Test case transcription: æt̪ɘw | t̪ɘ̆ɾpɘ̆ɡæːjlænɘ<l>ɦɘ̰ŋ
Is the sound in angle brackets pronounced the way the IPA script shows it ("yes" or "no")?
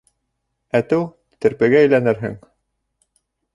no